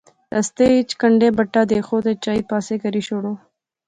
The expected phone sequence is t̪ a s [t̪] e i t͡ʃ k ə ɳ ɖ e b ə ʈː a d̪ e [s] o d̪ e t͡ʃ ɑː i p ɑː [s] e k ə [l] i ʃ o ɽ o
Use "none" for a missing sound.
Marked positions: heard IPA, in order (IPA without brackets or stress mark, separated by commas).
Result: t̪, x, s, ɾ